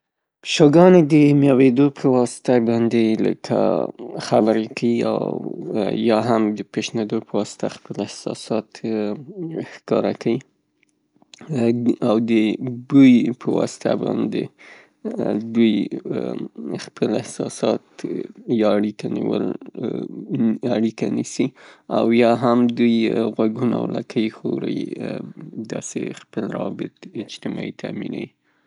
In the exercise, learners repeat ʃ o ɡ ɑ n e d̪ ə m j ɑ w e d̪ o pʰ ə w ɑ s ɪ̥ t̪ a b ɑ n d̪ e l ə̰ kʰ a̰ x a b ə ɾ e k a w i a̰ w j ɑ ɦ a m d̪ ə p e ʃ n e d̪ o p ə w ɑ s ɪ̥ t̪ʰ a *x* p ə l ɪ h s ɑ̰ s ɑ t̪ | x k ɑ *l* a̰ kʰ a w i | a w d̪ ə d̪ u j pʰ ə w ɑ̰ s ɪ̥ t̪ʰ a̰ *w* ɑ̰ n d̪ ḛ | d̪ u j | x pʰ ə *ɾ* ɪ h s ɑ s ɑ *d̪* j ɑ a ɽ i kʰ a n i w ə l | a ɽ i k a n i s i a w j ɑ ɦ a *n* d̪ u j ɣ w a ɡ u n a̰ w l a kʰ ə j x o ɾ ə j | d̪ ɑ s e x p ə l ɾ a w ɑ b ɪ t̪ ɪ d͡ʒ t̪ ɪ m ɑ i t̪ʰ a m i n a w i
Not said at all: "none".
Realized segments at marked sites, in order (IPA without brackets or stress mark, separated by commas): x, ɾ, b, l, t̪, m